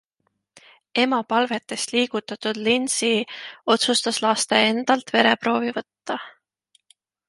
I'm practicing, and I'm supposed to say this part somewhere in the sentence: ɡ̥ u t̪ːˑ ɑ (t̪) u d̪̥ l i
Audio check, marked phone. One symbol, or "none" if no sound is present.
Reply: t̪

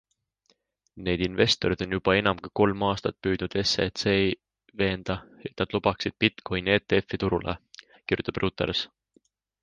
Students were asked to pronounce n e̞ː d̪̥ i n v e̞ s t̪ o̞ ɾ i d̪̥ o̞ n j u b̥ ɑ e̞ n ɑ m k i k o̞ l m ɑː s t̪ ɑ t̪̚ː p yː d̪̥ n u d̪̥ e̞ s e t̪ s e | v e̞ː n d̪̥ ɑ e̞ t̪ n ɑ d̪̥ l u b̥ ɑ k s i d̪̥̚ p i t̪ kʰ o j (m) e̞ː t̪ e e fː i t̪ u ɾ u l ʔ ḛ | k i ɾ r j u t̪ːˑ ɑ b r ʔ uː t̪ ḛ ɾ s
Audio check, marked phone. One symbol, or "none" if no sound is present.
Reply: n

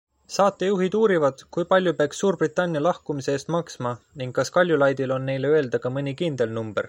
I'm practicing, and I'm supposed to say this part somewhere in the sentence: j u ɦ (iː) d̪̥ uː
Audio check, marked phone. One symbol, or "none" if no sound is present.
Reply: i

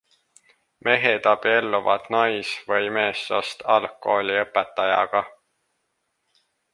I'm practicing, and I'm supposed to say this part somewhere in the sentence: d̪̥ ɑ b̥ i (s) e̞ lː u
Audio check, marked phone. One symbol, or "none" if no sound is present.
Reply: none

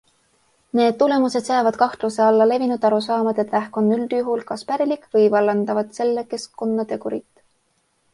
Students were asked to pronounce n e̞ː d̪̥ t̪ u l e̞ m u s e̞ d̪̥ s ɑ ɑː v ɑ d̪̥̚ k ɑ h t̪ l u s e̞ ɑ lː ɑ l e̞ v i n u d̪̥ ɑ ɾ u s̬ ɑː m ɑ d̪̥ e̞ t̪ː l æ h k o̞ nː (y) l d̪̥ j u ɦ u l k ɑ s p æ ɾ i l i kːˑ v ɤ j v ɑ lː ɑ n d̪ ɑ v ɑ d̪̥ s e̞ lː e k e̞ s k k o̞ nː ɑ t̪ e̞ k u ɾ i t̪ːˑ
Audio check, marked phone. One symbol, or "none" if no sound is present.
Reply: y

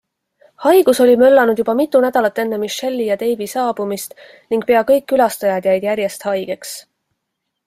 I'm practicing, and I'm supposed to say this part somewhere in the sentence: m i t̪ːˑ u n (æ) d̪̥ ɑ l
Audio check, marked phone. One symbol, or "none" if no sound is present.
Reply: æ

